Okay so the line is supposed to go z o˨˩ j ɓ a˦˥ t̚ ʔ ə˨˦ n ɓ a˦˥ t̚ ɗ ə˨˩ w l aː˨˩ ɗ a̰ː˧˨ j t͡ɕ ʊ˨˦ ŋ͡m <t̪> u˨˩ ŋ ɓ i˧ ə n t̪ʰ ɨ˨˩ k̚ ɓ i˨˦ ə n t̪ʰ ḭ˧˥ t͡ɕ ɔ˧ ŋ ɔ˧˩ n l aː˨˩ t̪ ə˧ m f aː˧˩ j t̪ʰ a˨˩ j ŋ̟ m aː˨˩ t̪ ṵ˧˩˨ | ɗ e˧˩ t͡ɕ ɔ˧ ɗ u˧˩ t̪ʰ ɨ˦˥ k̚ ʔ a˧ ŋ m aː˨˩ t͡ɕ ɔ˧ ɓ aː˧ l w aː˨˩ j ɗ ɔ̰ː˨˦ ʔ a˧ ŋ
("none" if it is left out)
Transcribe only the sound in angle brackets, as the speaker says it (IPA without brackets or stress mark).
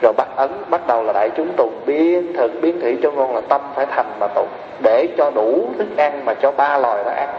t̪